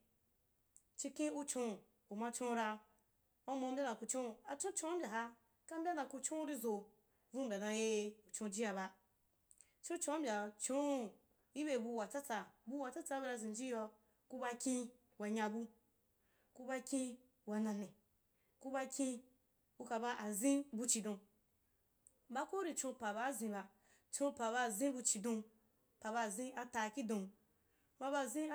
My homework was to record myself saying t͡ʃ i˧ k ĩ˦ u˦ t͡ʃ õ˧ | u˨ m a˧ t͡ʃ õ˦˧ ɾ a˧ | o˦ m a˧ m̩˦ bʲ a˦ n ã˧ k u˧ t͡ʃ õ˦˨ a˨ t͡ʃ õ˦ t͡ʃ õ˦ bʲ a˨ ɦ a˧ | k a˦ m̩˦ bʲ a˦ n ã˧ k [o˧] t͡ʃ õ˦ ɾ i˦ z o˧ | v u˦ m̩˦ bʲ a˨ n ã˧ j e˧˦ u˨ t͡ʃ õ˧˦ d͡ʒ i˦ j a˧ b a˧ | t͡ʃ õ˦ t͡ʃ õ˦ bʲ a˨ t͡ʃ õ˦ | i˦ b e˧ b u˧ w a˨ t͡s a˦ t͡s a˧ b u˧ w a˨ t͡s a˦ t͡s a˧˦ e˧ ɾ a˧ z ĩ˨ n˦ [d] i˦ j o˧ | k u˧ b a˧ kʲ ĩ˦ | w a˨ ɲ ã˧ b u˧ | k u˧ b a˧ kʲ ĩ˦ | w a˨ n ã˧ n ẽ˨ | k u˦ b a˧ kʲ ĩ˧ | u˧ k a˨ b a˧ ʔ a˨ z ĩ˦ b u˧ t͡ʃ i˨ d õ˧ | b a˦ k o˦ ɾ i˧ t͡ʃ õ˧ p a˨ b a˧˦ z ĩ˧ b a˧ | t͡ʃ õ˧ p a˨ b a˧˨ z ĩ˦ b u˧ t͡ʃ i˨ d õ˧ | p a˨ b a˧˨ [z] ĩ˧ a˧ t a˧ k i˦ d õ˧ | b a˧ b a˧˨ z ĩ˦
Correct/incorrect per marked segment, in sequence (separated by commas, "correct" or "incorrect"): incorrect, incorrect, correct